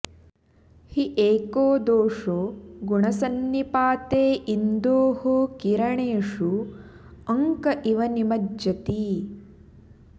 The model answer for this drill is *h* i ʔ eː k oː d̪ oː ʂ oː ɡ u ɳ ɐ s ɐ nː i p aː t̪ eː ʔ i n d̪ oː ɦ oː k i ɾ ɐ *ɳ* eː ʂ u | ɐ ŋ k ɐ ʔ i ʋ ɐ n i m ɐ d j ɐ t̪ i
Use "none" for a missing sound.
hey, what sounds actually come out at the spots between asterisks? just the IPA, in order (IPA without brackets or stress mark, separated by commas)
h, ɳ